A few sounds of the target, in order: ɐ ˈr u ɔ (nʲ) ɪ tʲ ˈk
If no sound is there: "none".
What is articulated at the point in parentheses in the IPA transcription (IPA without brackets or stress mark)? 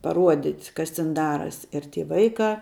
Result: dʲ